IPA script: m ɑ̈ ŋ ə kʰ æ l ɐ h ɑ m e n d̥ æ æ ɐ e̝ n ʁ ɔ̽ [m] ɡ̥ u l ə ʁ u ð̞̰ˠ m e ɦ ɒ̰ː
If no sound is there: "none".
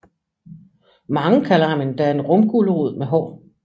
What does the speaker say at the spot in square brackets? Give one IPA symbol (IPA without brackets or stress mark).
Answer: m